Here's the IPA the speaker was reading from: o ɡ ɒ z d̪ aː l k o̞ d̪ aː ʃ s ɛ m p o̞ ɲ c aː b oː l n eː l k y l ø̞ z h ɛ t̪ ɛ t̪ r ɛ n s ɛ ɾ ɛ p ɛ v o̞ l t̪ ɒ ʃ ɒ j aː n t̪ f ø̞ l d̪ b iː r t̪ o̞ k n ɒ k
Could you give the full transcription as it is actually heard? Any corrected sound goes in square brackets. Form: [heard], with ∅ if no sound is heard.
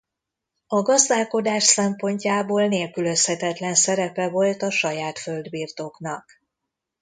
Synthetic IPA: [ɒ] ɡ ɒ z d̪ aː l k o̞ d̪ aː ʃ s ɛ m p o̞ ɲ c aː b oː l n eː l k y l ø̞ [s] h ɛ t̪ ɛ t̪ [l] ɛ n s ɛ ɾ ɛ p ɛ v o̞ l t̪ ɒ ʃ ɒ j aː [∅] t̪ f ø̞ l d̪ b iː r t̪ o̞ k n ɒ k